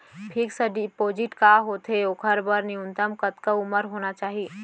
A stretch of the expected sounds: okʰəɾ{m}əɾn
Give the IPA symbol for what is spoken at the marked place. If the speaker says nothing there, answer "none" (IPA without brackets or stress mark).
b